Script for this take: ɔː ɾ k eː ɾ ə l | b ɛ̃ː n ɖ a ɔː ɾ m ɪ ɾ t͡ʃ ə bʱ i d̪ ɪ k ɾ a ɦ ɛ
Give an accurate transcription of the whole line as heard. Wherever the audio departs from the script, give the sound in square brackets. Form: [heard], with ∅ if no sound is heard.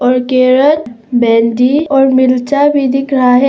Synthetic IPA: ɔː ɾ k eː ɾ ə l | b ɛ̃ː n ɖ [i] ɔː ɾ m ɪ [l] t͡ʃ [a] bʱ i d̪ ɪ k ɾ a ɦ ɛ